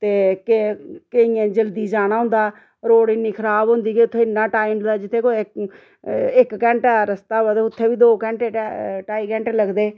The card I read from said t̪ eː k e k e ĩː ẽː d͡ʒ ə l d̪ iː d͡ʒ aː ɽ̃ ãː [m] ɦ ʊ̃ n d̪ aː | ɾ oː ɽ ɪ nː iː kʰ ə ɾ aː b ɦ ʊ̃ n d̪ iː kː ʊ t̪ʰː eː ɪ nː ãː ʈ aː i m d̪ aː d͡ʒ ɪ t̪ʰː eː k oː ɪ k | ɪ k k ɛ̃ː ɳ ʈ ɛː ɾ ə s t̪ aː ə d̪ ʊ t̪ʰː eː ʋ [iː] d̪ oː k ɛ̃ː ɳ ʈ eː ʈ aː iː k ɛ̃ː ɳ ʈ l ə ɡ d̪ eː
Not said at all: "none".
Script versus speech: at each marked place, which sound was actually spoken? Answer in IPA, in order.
none, iː

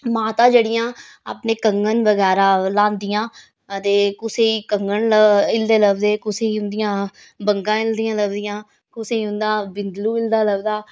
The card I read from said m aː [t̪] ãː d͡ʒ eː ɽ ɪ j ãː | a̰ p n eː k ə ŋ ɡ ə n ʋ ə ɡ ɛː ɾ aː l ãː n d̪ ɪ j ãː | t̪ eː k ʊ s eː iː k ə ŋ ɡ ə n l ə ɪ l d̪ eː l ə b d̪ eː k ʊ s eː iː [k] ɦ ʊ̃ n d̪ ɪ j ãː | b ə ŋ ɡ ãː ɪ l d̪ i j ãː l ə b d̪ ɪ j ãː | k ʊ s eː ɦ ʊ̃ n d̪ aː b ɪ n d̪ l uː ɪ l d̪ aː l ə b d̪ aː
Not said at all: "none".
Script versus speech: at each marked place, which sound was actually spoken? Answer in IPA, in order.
t̪, none

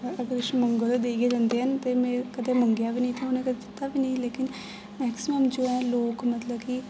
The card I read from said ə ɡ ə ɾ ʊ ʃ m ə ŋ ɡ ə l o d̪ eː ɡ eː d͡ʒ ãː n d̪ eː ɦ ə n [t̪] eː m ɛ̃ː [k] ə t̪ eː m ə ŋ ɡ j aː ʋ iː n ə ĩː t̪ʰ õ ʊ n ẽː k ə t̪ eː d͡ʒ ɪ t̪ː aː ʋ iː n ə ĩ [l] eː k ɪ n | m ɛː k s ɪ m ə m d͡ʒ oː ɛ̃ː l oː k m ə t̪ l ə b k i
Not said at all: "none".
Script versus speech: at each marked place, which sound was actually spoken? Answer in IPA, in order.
t̪, k, l

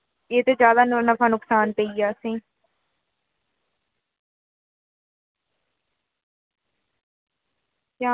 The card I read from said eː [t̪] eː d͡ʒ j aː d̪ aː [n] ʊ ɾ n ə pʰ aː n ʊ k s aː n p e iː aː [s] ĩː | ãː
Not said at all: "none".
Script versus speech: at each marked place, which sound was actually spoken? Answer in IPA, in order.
t̪, n, s

